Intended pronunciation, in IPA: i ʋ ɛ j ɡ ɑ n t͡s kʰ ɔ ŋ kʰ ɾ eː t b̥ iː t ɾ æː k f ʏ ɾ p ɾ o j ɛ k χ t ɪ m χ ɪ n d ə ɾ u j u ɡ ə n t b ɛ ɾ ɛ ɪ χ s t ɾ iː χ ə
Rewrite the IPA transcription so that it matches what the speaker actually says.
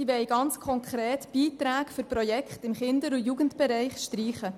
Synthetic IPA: i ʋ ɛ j ɡ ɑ n t͡s kʰ ɔ ŋ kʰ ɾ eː t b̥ iː t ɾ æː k f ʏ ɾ p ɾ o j ɛ k χ t ɪ m χ ɪ n d ə ɾ u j u ɡ ə n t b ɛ ɾ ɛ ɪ χ ʃ t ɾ iː χ ə